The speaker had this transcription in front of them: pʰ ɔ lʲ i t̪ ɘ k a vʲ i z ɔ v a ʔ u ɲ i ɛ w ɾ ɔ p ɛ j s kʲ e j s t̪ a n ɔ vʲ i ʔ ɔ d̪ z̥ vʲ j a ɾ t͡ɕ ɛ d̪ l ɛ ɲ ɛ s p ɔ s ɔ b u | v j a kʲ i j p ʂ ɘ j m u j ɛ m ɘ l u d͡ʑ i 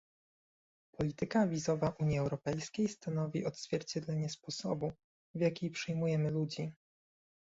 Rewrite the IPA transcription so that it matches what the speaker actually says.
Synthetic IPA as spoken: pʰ ɔ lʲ i t̪ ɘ k a vʲ i z ɔ v a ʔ u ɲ i ɛ w ɾ ɔ p ɛ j s kʲ e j s t̪ a n ɔ vʲ i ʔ ɔ d̪ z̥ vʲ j ɛ ɾ t͡ɕ ɛ d̪ l ɛ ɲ ɛ s p ɔ s ɔ b u | v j a kʲ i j p ʂ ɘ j m u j ɛ m ɘ l u d͡ʑ i

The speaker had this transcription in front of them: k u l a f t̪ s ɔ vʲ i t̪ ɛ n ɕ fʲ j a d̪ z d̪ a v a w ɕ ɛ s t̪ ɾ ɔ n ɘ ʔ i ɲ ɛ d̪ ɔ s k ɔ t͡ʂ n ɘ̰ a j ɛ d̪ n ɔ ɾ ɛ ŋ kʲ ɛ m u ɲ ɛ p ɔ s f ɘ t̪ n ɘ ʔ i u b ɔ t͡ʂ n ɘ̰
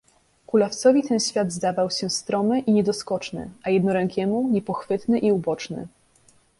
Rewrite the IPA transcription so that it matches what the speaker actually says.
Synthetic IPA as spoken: k u l a f t̪ s ɔ vʲ i t̪ ɛ n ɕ fʲ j a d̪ z d̪ a v a w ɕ ɛ s t̪ ɾ ɔ m ɘ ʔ i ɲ ɛ d̪ ɔ s k ɔ t͡ʂ n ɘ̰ a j ɛ d̪ n ɔ ɾ ɛ ŋ kʲ ɛ m u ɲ ɛ p ɔ x f ɘ t̪ n ɘ ʔ i u b ɔ t͡ʂ n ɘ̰

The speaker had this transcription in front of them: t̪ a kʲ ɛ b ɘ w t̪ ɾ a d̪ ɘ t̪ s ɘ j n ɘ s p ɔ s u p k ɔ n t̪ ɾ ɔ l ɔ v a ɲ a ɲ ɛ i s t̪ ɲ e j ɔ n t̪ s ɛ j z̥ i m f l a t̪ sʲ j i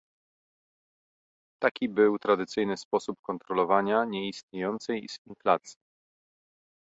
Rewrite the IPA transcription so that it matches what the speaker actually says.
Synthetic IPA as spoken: t̪ a kʲ i b ɘ w t̪ ɾ a d̪ ɘ t̪ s ɘ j n ɘ s p ɔ s u p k ɔ n t̪ ɾ ɔ l ɔ v a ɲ a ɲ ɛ i s t̪ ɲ e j ɔ n t̪ s ɛ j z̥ i n f l a t̪ sʲ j i

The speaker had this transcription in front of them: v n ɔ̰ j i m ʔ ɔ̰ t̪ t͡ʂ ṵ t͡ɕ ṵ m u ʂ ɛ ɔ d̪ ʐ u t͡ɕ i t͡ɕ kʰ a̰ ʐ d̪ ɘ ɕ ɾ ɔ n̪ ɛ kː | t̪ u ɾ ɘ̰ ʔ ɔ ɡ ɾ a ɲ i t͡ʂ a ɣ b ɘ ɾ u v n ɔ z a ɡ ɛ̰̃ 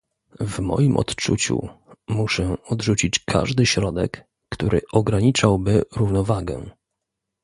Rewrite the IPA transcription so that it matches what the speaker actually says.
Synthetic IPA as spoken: v m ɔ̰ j i m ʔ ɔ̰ t̪ t͡ʂ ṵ t͡ɕ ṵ m u ʂ ɛ ɔ d̪ ʐ u t͡ɕ i t͡ɕ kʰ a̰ ʐ d̪ ɘ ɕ ɾ ɔ d̪ ɛ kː | t̪ u ɾ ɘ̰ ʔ ɔ ɡ ɾ a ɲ i t͡ʂ a w b ɘ ɾ u v n ɔ v a ɡ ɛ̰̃

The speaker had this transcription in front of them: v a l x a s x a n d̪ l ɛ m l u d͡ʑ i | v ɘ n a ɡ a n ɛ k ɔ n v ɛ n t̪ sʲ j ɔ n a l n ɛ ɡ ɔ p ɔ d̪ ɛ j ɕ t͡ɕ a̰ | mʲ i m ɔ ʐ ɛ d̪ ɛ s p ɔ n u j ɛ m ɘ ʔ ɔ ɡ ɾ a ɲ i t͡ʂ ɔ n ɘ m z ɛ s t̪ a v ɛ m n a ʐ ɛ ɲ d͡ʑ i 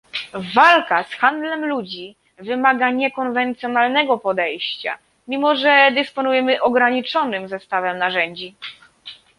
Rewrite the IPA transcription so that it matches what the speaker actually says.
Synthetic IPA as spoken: v a l k a s x a n d̪ l ɛ m l u d͡ʑ i | v ɘ m a ɡ a ɲ ɛ k ɔ n v ɛ n t̪ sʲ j ɔ n a l n ɛ ɡ ɔ p ɔ d̪ ɛ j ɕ t͡ɕ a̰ | mʲ i m ɔ ʐ ɛ d̪ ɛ s p ɔ n u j ɛ m ɘ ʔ ɔ ɡ ɾ a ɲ i t͡ʂ ɔ n ɘ m z ɛ s t̪ a v ɛ m n a ʐ ɛ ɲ d͡ʑ i

